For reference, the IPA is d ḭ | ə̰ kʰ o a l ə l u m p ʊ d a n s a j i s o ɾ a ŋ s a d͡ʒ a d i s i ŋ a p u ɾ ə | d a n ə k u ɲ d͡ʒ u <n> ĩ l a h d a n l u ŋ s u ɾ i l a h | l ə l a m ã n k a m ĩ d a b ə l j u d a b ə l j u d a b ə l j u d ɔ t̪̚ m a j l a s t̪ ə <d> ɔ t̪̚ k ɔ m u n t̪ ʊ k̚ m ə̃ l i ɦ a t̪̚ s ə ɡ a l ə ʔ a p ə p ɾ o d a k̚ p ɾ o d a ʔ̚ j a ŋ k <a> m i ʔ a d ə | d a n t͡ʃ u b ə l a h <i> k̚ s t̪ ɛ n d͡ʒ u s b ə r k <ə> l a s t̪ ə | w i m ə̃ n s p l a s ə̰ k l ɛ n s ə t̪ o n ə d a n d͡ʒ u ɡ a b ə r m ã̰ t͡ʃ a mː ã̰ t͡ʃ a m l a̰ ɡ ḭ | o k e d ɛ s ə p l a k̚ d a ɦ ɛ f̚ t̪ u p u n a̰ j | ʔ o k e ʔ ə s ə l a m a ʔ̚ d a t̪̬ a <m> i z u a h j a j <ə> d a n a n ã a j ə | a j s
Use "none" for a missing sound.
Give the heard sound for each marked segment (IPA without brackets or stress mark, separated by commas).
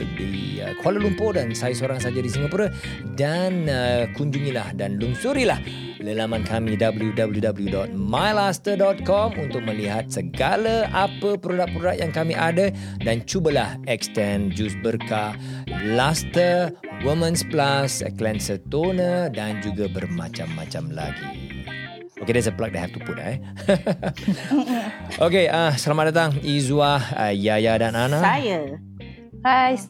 ŋ, d, a, ɛ, a, ŋ, a